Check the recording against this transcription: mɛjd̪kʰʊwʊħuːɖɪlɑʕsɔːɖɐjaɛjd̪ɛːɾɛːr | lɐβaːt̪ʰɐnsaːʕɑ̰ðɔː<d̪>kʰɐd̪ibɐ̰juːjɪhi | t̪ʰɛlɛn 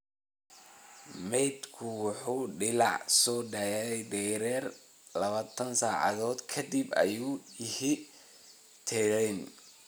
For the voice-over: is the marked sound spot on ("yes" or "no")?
yes